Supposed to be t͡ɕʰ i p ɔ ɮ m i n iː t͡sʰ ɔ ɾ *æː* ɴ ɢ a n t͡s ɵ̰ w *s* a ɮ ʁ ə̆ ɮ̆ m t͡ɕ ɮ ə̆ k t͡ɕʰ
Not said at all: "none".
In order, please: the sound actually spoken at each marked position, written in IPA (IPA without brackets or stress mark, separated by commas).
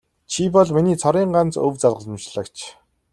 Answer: iː, t͡s